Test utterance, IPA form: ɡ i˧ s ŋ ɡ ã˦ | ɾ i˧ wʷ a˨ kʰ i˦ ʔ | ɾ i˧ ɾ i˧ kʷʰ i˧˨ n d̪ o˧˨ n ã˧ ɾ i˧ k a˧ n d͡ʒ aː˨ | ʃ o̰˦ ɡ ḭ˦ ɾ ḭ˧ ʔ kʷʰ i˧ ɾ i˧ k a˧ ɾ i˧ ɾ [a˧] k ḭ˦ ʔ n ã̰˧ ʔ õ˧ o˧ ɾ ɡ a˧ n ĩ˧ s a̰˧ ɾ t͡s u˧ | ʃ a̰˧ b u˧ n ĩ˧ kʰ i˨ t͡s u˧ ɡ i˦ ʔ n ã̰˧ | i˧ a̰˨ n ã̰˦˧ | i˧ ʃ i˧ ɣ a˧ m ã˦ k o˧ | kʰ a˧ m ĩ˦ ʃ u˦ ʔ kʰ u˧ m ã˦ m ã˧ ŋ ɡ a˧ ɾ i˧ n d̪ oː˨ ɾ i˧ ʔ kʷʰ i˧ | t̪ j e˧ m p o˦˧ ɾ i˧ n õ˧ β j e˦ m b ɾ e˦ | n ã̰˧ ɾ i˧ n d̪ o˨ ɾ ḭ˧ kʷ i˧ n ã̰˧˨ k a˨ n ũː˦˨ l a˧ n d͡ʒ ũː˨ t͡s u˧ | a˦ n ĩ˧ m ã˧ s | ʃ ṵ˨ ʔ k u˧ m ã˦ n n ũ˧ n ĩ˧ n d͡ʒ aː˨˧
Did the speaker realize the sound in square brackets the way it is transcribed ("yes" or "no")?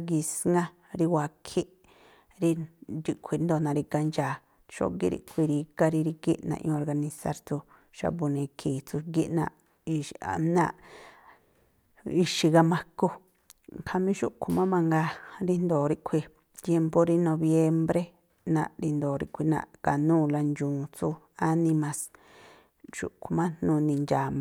no